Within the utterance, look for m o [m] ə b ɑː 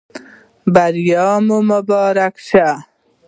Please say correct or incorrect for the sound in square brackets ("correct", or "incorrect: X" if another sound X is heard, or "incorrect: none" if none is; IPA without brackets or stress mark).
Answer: correct